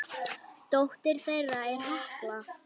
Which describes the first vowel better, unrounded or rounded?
rounded